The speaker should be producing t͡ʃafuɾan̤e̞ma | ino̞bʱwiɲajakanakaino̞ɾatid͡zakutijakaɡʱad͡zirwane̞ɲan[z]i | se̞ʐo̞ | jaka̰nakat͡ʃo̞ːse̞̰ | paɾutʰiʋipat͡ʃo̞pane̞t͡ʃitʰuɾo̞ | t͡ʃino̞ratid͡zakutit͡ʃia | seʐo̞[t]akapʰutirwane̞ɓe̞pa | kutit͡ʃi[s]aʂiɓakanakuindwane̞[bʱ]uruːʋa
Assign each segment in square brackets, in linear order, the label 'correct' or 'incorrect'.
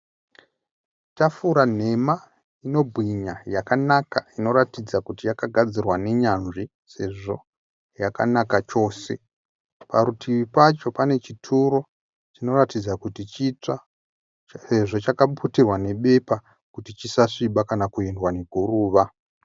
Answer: incorrect, incorrect, correct, incorrect

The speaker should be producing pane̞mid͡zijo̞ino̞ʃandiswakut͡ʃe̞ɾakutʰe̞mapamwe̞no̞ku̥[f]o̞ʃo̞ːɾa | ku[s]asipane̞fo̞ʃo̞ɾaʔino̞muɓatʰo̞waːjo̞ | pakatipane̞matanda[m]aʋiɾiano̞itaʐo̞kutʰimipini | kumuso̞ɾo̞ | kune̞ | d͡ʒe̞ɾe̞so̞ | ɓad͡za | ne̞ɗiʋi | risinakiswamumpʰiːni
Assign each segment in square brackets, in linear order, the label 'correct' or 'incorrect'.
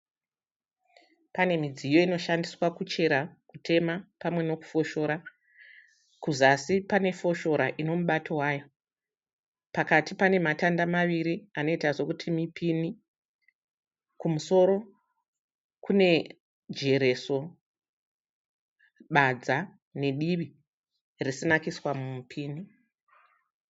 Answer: correct, incorrect, correct

